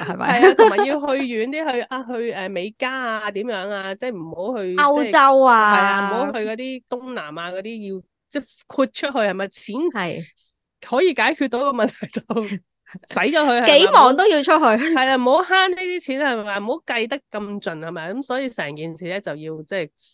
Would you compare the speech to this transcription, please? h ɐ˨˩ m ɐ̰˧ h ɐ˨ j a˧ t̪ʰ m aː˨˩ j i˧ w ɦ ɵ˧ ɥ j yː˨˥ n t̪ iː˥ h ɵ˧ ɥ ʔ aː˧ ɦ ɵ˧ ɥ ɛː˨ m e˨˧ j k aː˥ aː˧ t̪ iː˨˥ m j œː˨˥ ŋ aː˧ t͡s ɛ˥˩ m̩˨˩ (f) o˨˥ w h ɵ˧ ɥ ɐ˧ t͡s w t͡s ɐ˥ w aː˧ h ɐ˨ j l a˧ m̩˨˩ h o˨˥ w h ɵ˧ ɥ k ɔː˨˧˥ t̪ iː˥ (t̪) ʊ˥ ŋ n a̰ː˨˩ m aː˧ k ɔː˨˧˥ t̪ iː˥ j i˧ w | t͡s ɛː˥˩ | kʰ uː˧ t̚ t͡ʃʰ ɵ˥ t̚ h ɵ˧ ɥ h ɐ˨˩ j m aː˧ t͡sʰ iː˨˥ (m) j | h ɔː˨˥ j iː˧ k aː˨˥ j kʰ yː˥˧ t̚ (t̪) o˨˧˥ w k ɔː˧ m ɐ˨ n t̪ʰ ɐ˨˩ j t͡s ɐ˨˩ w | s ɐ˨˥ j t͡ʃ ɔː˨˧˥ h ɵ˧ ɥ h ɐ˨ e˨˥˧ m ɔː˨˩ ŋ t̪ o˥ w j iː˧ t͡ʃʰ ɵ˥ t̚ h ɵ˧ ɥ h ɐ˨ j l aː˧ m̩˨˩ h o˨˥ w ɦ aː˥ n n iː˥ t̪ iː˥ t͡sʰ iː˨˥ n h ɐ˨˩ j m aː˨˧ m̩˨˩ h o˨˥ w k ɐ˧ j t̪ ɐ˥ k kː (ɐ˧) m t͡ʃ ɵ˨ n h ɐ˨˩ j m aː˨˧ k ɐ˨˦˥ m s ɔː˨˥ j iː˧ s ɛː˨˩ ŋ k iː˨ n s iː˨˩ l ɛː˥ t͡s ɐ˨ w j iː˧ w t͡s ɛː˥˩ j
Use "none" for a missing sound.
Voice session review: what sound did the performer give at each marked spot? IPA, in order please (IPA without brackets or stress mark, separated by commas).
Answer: h, t̪, n, t̪, ɐ˧